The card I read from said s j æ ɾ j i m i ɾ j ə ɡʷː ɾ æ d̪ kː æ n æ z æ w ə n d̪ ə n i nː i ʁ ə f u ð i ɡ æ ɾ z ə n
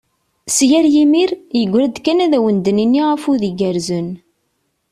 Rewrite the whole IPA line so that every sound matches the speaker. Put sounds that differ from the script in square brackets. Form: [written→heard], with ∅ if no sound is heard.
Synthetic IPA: s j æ ɾ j i m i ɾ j ə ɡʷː ɾ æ d̪ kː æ n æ [z→ð] æ w ə n d̪ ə n i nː i ʁ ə f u ð i ɡ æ ɾ z ə n